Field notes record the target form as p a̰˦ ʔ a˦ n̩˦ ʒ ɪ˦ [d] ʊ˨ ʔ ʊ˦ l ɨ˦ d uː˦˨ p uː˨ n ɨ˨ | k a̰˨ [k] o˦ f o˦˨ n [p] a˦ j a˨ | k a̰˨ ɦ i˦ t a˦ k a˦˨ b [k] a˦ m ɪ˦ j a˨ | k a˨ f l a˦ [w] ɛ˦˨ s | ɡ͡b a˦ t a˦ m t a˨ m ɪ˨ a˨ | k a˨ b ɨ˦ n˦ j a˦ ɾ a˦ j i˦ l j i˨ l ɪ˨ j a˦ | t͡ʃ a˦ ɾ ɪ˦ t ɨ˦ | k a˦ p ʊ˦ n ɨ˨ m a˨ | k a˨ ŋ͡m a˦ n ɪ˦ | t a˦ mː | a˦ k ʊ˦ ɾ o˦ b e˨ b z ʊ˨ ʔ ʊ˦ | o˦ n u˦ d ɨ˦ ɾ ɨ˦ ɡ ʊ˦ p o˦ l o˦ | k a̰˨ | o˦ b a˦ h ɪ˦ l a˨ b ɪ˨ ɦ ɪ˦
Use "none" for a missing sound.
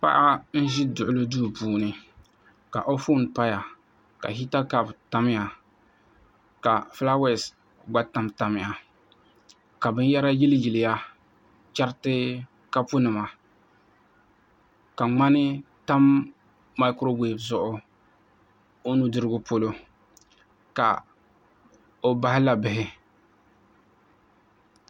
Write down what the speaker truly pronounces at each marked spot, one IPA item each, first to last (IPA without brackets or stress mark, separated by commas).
d, ʔ, p, t, w